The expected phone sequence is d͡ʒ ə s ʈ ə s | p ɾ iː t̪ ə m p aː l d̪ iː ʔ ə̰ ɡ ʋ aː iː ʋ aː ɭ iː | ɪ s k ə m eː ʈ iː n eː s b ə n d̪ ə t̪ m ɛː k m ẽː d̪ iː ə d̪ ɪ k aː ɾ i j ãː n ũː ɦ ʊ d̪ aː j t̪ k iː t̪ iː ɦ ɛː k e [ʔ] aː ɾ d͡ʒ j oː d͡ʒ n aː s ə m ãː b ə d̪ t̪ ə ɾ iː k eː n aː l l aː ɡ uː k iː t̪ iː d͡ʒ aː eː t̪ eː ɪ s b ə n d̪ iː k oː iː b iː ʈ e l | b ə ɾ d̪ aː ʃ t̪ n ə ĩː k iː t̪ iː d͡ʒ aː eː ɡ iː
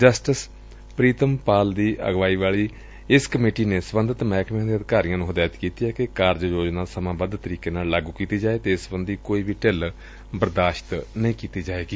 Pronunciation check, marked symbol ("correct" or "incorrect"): incorrect